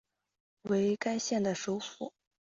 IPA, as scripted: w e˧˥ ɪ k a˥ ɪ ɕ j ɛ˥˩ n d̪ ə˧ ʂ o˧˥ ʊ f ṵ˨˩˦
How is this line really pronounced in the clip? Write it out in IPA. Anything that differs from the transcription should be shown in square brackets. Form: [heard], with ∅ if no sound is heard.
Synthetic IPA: w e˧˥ ɪ k a˥ ɪ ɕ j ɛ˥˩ n d̪ [ə˩] ʂ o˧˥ ʊ f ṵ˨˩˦